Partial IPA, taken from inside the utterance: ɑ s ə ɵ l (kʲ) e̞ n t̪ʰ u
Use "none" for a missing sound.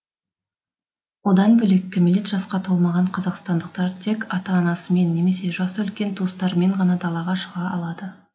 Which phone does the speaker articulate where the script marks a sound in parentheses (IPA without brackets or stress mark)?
kʲ